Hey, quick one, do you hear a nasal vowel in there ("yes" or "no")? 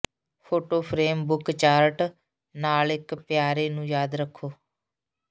yes